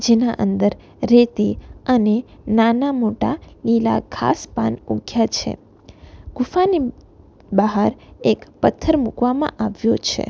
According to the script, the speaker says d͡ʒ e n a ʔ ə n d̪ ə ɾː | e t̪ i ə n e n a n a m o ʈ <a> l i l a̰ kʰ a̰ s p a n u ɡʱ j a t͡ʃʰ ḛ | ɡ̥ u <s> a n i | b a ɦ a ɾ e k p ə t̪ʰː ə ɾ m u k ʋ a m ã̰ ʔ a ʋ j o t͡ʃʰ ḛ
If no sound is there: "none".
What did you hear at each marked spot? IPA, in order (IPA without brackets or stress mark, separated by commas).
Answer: a, f